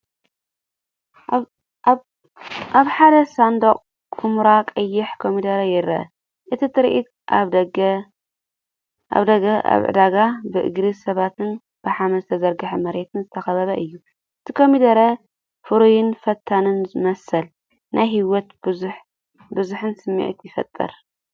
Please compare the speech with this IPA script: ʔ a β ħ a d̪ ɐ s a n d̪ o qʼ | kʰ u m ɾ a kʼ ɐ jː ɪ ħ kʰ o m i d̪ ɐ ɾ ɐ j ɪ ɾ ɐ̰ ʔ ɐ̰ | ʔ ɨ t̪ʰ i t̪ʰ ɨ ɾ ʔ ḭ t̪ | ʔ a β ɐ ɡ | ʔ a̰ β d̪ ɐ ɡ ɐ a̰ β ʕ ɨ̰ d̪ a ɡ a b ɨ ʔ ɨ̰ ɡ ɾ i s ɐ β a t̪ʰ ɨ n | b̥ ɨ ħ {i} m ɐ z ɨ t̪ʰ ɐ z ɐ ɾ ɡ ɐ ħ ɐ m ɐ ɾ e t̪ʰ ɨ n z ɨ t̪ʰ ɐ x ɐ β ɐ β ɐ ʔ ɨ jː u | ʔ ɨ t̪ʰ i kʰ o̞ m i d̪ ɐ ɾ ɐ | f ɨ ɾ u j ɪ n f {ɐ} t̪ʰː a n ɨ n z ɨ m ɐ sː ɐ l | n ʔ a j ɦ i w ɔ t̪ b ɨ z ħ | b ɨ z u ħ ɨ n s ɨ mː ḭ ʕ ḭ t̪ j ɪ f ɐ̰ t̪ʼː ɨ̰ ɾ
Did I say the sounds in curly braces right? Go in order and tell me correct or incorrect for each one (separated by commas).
incorrect, correct